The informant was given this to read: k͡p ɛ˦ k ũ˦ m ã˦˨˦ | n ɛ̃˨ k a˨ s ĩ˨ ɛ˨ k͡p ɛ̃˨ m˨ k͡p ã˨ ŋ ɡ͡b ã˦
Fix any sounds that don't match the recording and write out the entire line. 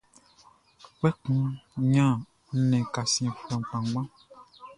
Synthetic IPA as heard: k͡p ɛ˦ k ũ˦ ɲ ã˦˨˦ | n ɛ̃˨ k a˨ s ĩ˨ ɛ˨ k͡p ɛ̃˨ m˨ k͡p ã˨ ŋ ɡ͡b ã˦